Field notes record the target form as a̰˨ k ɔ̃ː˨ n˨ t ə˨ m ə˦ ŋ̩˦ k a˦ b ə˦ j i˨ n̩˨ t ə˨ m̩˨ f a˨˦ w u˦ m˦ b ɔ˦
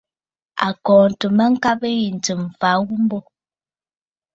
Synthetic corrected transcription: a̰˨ k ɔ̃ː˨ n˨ t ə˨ m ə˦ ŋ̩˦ k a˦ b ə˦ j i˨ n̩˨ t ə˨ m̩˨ f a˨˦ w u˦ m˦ b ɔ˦